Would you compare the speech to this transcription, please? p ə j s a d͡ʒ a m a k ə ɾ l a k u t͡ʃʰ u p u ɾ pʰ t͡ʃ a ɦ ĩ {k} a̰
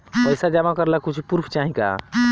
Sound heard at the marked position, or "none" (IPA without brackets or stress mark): k